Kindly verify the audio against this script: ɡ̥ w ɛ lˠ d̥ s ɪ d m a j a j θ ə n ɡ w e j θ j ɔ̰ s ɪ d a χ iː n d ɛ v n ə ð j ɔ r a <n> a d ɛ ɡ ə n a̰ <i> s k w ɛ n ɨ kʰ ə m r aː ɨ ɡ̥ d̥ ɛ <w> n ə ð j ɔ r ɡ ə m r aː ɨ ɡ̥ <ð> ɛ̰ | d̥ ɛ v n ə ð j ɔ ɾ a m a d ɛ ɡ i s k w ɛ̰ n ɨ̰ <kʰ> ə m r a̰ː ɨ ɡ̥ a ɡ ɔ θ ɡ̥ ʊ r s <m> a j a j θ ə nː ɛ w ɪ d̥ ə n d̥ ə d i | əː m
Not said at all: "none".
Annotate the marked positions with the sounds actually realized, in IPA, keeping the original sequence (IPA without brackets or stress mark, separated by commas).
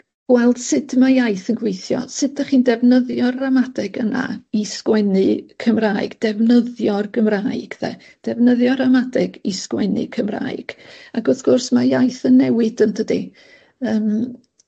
m, i, v, ð, kʰ, m